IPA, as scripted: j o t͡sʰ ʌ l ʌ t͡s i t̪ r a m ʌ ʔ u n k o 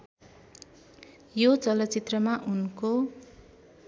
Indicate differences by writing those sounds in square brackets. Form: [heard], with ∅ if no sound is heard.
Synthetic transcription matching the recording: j o [t͡s] ʌ l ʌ t͡s i t̪ r [ʌ] m [a] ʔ u n k o